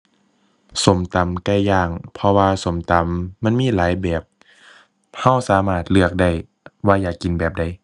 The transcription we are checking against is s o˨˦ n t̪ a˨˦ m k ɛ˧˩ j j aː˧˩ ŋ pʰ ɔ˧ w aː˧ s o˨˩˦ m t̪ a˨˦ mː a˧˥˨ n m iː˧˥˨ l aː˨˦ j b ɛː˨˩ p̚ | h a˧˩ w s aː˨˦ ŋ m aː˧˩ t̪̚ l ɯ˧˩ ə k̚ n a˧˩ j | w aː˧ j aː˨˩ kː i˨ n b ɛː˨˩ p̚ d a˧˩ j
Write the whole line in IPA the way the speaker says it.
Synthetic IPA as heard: s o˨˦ m t̪ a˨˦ m k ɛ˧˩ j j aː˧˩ ŋ pʰ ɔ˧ w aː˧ s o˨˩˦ m t̪ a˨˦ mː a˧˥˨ n m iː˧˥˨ l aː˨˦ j b ɛː˨˩ p̚ | h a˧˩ w s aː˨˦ m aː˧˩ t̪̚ l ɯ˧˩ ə k̚ d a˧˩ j | w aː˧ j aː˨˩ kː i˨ n b ɛː˨˩ p̚ d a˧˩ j